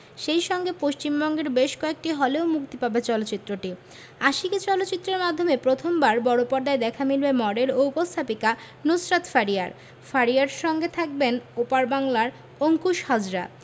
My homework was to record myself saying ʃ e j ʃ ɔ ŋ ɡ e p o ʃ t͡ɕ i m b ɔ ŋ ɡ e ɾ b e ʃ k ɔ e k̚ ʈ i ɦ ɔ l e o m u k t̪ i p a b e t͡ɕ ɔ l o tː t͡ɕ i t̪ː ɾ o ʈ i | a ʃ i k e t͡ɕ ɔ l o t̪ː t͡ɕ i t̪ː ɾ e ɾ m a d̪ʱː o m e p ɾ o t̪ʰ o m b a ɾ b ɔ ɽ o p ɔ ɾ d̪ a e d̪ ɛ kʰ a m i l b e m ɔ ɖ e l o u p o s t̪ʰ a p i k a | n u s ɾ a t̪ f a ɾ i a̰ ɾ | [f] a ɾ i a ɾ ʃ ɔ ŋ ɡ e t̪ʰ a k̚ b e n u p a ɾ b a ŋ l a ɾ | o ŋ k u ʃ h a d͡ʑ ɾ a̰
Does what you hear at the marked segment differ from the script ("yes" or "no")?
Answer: no